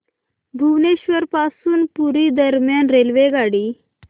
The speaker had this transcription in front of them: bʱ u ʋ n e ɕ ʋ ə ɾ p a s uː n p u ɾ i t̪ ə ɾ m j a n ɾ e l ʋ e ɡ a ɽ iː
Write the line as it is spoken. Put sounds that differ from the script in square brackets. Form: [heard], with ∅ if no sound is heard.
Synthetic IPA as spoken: bʱ u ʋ n e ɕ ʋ ə ɾ p a s uː n p u ɾ i [d̪] ə ɾ m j a n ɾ e l ʋ e ɡ a ɽ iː